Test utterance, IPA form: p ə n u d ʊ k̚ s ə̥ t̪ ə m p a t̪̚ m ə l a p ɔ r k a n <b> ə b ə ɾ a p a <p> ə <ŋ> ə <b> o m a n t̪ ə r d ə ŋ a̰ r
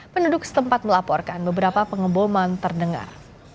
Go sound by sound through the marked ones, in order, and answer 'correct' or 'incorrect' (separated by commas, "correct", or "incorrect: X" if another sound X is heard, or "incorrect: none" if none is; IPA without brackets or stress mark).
correct, correct, correct, correct